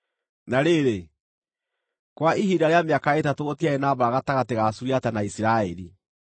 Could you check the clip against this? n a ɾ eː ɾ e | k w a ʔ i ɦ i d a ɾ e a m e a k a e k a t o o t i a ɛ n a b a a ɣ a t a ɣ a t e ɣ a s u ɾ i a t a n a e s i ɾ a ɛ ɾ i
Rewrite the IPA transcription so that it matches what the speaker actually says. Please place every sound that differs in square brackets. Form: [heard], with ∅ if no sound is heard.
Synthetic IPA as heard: n a ɾ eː ɾ e | k w a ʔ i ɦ i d a ɾ e a m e a k a e [t] a t o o t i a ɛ n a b a a ɣ a t a ɣ a t e ɣ a s u ɾ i a t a n a [i] s i ɾ a ɛ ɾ i